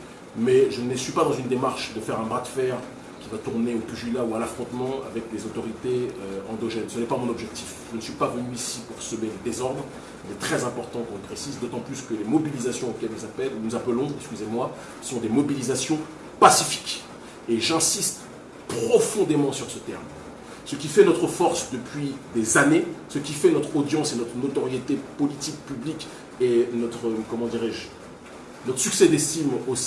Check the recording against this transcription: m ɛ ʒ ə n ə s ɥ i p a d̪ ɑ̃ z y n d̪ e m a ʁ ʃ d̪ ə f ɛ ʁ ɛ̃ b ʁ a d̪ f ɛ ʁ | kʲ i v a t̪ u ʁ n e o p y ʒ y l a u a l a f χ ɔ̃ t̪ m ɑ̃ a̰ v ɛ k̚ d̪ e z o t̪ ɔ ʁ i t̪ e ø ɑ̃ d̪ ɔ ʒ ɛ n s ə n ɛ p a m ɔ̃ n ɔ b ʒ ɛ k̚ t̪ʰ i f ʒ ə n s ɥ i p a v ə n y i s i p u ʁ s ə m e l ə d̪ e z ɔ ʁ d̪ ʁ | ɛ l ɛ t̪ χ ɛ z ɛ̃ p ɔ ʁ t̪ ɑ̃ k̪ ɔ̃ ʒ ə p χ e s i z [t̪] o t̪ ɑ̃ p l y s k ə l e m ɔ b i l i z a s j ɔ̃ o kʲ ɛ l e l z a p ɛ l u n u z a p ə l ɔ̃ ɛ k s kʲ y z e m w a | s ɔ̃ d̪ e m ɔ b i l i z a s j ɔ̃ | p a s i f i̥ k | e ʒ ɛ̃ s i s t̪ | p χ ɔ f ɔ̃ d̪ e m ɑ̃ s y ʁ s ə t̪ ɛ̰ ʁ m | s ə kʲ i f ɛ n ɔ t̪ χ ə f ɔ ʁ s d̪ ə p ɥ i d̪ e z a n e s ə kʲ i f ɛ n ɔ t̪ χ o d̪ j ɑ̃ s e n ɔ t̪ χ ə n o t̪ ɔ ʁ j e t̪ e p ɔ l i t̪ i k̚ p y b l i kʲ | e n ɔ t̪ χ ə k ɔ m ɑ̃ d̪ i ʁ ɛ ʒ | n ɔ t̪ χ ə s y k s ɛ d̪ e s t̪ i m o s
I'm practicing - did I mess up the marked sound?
yes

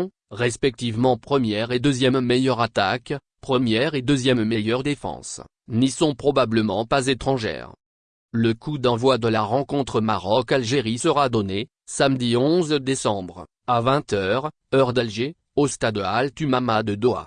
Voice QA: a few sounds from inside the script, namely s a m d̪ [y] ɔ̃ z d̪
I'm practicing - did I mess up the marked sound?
yes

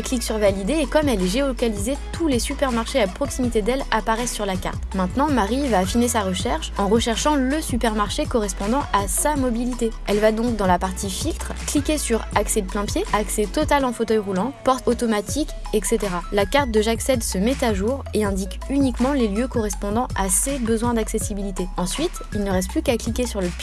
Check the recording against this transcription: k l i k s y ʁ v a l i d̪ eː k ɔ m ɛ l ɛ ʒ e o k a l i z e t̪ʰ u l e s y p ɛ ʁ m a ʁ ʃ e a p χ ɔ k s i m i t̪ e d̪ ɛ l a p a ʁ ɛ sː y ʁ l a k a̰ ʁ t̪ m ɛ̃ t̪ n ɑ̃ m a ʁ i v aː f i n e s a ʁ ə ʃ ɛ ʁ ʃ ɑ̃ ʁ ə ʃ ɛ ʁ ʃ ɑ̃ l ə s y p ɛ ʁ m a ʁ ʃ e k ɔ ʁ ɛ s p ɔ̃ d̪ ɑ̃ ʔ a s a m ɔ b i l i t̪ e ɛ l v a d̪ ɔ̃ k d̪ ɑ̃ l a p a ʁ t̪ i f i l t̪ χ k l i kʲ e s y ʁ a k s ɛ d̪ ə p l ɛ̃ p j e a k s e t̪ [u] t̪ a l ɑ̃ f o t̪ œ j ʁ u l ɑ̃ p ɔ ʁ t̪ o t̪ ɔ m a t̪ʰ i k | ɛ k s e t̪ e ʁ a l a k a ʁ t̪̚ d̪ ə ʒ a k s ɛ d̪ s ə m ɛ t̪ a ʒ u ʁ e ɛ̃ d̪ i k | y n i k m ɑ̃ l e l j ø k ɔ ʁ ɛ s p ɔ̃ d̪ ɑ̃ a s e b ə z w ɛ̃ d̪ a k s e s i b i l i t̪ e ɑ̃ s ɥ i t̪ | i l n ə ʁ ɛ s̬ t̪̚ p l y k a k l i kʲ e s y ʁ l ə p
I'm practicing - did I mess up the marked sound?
yes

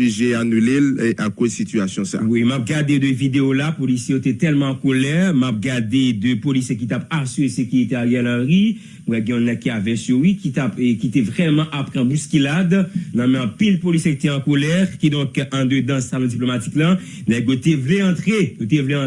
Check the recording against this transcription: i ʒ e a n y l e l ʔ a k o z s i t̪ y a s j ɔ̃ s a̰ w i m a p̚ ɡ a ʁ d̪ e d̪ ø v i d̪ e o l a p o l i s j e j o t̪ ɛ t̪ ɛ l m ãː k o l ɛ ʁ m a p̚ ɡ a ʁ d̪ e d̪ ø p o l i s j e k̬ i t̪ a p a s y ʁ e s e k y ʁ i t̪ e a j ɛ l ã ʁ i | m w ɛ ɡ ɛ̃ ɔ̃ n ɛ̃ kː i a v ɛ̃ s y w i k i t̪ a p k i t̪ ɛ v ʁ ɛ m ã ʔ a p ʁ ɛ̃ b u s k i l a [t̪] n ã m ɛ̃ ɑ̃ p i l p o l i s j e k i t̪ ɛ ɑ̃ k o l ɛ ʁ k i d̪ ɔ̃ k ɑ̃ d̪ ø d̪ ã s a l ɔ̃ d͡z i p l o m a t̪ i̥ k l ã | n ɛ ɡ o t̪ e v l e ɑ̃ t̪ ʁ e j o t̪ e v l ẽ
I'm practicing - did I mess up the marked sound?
yes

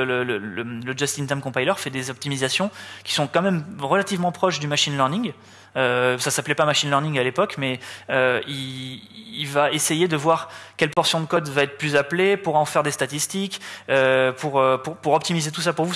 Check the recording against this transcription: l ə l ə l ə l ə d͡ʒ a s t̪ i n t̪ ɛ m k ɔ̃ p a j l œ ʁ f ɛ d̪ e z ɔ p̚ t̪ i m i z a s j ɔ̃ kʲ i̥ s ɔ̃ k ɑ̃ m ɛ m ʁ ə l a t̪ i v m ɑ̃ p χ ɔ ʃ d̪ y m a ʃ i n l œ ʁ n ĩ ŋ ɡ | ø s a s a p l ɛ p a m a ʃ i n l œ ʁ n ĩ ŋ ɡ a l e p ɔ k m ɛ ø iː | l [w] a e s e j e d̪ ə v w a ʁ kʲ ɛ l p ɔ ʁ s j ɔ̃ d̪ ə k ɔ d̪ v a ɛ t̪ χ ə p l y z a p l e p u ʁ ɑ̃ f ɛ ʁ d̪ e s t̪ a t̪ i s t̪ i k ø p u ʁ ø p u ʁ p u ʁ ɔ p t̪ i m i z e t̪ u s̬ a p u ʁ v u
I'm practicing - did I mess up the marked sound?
yes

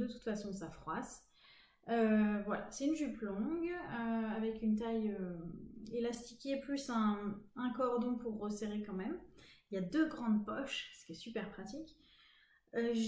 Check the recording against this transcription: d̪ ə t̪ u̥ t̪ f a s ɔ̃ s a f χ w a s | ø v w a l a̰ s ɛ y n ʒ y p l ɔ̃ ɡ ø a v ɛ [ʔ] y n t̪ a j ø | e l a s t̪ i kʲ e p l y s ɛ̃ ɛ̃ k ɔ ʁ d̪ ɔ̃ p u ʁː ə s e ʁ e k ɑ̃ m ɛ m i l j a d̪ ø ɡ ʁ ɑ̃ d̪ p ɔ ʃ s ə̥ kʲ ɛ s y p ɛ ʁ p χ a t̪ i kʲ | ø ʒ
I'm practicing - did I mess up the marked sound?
yes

